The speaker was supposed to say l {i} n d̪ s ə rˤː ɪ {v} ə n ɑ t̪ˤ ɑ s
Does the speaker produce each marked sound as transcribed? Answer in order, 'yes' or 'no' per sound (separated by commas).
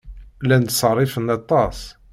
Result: no, no